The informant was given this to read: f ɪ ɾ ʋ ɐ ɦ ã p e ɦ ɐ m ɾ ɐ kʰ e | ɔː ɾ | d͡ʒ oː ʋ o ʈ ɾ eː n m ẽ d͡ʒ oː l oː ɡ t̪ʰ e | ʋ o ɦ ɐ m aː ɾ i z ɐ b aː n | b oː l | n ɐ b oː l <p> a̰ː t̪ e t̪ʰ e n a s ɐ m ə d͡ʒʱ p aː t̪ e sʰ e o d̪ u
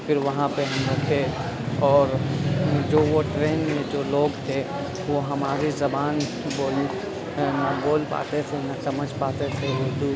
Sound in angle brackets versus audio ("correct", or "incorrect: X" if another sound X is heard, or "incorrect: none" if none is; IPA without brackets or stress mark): correct